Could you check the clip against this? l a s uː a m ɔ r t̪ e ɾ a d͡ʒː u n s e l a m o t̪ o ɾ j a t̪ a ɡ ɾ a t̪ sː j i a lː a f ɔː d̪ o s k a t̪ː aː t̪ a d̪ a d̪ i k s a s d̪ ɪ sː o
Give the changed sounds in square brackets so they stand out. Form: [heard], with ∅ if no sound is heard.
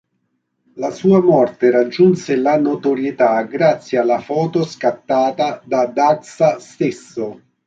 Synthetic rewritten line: l a s uː a m ɔ r t̪ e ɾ a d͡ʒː u n s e l a [n] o t̪ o ɾ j [e] t̪ a ɡ ɾ a t̪ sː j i a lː a f ɔː [t̪] o s k a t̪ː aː t̪ a d̪ a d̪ [a] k s a s [t̪] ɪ sː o

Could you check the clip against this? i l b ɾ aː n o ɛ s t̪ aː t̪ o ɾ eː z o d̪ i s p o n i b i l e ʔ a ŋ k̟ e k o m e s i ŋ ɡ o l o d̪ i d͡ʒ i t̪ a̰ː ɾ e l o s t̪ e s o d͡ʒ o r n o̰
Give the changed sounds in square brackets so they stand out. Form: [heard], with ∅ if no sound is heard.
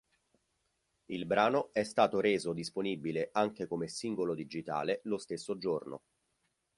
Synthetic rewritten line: i l b ɾ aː n o ɛ s t̪ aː t̪ o ɾ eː z o d̪ i s p o n i b i l e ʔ a ŋ k̟ e k o m e s i ŋ ɡ o l o d̪ i d͡ʒ i t̪ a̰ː [l] e l o s t̪ e [sː] o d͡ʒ o r n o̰

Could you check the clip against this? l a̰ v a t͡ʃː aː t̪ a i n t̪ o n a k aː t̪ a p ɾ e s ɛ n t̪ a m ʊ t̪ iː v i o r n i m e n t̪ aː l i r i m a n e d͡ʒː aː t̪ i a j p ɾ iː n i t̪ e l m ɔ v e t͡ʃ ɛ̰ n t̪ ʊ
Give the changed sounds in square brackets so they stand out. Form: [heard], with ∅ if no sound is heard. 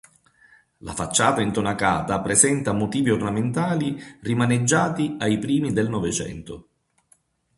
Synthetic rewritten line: l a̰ [f] a t͡ʃː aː t̪ a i n t̪ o n a k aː t̪ a p ɾ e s ɛ n t̪ a m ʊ t̪ iː v i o r n [a] m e n t̪ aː l i r i m a n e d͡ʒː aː t̪ i a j p ɾ iː [m] i [d̪] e l [n] ɔ v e t͡ʃ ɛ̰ n t̪ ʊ

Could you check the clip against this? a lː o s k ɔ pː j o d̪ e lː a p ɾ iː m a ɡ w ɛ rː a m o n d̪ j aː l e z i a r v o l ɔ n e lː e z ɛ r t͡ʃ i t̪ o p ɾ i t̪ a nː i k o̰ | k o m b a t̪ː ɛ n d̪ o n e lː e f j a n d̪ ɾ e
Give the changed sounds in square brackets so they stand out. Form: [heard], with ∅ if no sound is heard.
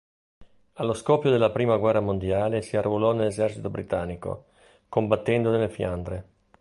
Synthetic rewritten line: a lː o s k ɔ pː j o d̪ e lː a p ɾ iː m a ɡ w ɛ rː a m o n d̪ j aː l e [s] i a r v o l ɔ n e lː e z ɛ r t͡ʃ i t̪ o [b] ɾ i t̪ a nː i k o̰ | k o m b a t̪ː ɛ n d̪ o n e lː e f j a n d̪ ɾ e

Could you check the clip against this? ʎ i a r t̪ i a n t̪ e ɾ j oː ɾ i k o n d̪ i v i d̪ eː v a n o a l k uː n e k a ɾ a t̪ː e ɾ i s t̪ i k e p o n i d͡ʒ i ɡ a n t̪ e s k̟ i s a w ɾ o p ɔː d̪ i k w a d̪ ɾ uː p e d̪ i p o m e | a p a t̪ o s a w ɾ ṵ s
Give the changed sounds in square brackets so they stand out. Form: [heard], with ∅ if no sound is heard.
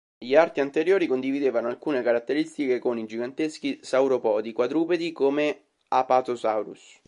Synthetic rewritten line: ʎ i a r t̪ i a n t̪ e ɾ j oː ɾ i k o n d̪ i v i d̪ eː v a n o a l k uː n e k a ɾ a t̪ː e ɾ i s t̪ i k e [k] o n i d͡ʒ i ɡ a n t̪ e s k̟ i s a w ɾ o p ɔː d̪ i k w a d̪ ɾ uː p e d̪ i [k] o m e | a p a t̪ o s a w ɾ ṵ s

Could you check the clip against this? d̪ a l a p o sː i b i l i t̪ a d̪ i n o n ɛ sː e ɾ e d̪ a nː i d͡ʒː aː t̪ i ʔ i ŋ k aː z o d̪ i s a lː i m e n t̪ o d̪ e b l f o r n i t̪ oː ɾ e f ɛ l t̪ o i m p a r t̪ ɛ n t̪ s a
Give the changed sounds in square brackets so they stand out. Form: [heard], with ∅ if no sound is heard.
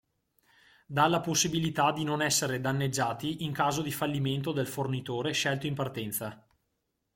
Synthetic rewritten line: d̪ a l a p o sː i b i l i t̪ a d̪ i n o n ɛ sː e ɾ e d̪ a nː [e] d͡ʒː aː t̪ i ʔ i ŋ k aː z o d̪ i [f] a lː i m e n t̪ o d̪ e [∅] l f o r n i t̪ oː ɾ e [ʃ] ɛ l t̪ o i m p a r t̪ ɛ n t̪ s a

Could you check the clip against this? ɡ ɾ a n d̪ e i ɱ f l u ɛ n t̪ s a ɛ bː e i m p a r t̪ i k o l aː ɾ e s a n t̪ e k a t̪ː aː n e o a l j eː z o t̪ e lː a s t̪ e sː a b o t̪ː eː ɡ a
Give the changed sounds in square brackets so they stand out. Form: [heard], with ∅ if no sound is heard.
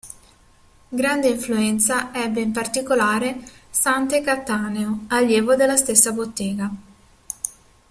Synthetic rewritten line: ɡ ɾ a n d̪ e i ɱ f l u ɛ n t̪ s a ɛ bː e i m p a r t̪ i k o l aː ɾ e s a n t̪ e k a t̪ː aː n e o a l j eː [v] o [d̪] e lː a s t̪ e sː a b o t̪ː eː ɡ a

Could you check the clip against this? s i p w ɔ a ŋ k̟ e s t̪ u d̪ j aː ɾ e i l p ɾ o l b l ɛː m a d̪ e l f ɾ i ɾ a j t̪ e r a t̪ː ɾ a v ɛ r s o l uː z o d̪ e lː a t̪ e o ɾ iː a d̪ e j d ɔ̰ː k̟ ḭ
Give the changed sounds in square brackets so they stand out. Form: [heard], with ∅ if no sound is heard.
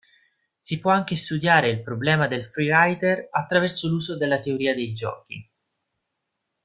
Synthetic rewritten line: s i p w ɔ a ŋ k̟ e s t̪ u d̪ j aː ɾ e i l p ɾ o [∅] b l ɛː m a d̪ e l f ɾ i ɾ a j t̪ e r a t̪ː ɾ a v ɛ r s o l uː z o d̪ e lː a t̪ e o ɾ iː a d̪ e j [d͡ʒ] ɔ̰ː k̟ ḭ

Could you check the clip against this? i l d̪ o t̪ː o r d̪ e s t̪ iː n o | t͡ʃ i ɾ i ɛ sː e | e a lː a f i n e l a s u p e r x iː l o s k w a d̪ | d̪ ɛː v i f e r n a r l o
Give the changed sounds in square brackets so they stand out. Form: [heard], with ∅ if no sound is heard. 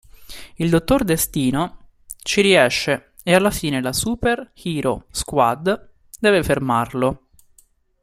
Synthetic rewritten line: i l d̪ o t̪ː o r d̪ e s t̪ iː n o | t͡ʃ i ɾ i ɛ [ʃː] e | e a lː a f [iː] n e l a s u p e r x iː [ɾ] o s k w a d̪ | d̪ ɛː v [e] f e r [m] a r l o

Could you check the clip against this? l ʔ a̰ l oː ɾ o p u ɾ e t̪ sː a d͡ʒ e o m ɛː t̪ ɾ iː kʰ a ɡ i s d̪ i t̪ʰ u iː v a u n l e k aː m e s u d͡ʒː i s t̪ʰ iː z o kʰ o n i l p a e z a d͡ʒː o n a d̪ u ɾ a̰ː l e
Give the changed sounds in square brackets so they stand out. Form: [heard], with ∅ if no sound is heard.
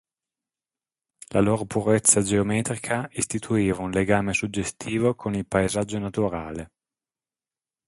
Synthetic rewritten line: l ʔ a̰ l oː ɾ o p u ɾ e t̪ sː a d͡ʒ e o m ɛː t̪ ɾ [i] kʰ a [∅] i s [t̪] i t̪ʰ u iː v a u n l e [ɡ] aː m e s u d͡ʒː [e] s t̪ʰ iː [v] o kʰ o n i l p a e z a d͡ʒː o n a [t̪] u ɾ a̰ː l e

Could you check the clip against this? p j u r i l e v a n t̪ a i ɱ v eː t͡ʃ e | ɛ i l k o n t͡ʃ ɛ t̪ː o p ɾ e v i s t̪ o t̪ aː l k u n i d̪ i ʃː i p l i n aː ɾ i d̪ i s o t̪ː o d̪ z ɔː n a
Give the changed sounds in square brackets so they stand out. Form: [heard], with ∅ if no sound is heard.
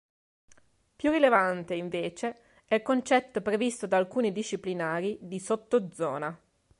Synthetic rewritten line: p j u r i l e v a n t̪ [e] i ɱ v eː t͡ʃ e | ɛ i l k o n t͡ʃ ɛ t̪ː o p ɾ e v i s t̪ o [d̪] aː l k [uː] n i d̪ i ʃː i p l i n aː ɾ i d̪ i s o t̪ː o d̪ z ɔː n a

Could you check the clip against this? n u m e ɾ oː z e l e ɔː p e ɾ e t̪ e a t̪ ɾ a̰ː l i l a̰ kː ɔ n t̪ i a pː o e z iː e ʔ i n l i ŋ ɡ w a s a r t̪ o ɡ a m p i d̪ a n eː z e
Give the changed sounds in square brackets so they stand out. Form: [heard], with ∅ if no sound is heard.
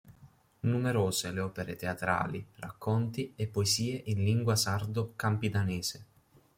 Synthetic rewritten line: n u m e ɾ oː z e l e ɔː p e ɾ e t̪ e a t̪ ɾ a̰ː l i [r] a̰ kː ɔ n t̪ i [e] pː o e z iː e ʔ i n l i ŋ ɡ w a s a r [d̪] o [k] a m p i d̪ a n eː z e

